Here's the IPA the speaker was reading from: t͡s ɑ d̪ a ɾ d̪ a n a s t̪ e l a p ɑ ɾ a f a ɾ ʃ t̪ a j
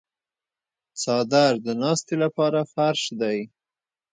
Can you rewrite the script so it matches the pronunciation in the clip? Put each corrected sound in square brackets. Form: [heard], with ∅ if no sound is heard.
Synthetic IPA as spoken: t͡s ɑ d̪ a ɾ d̪ [ə] n [ɑ] s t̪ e l a p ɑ ɾ a f a ɾ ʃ [d̪] a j